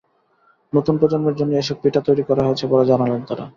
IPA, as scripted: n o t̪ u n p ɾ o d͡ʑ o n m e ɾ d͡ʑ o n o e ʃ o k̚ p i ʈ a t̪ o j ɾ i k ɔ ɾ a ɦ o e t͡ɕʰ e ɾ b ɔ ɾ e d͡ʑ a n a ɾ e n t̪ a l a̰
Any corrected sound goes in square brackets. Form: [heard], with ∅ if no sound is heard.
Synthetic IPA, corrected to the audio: n o t̪ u n p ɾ o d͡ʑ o n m e ɾ d͡ʑ o [nː] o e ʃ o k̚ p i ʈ a t̪ o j ɾ i k ɔ ɾ a ɦ o e t͡ɕʰ e [∅] b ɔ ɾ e d͡ʑ a n a [l] e n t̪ a [ɾ] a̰

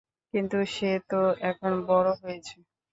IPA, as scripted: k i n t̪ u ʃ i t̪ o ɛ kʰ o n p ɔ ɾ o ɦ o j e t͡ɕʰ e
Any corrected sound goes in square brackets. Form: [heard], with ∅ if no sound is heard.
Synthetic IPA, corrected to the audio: k i n t̪ u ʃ [e] t̪ o ɛ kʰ o n [b] ɔ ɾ o ɦ o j e t͡ɕʰ e

